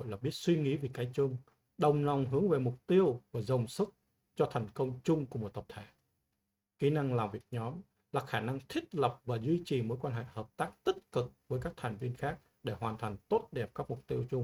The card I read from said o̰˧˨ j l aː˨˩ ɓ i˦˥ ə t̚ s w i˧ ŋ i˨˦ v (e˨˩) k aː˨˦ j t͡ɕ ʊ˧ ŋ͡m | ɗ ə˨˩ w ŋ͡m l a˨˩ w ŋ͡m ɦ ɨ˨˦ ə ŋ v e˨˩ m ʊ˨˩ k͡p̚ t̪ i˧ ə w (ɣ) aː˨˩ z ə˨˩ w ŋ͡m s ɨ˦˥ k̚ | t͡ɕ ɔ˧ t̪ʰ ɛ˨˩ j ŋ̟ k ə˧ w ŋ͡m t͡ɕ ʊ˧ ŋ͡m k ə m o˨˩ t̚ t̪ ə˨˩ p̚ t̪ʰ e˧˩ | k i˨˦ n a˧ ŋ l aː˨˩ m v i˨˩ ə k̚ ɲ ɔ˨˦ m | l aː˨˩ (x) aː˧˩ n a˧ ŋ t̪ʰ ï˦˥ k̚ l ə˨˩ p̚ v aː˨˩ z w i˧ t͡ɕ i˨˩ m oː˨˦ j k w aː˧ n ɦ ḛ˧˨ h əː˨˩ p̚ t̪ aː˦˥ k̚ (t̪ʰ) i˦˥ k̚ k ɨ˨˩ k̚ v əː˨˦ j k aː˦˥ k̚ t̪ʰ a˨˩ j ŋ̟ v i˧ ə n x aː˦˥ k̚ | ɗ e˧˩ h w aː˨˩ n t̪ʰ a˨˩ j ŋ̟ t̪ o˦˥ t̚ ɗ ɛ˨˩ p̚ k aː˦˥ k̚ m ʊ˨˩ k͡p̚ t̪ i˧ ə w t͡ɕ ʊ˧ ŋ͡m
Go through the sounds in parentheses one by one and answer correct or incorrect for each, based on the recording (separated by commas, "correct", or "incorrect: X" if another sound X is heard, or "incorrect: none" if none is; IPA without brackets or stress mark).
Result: incorrect: i˨˩, incorrect: v, correct, incorrect: t̪